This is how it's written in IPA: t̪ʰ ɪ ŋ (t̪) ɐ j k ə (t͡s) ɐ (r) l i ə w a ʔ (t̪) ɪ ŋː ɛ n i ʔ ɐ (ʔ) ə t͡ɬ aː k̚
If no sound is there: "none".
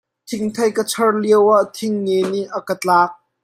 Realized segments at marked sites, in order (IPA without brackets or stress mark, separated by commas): t̪ʰ, t͡sʰ, r, t̪ʰ, k